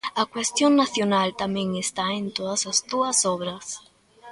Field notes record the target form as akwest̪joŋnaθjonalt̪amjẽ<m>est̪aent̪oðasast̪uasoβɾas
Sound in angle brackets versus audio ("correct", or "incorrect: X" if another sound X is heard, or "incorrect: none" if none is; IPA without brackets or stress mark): incorrect: ŋ